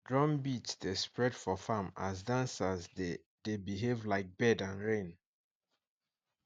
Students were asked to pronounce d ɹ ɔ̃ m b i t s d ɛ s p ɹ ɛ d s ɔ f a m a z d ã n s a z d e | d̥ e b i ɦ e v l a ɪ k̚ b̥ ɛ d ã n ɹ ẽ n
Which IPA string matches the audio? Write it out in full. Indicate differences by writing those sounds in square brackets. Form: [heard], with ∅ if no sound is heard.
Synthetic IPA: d ɹ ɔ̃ m b i t s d [e] s p ɹ ɛ d [f] ɔ f a m a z d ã n s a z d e | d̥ e b i ɦ e v l a ɪ k̚ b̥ ɛ d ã n ɹ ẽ n